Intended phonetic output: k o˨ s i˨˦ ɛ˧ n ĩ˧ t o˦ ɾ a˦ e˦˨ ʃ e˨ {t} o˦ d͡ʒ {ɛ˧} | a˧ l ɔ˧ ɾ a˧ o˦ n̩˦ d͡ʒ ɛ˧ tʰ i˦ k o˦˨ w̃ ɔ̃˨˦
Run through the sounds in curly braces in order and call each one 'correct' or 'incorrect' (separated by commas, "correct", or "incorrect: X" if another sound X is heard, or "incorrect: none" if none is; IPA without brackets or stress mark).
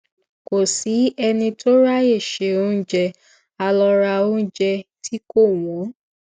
incorrect: none, correct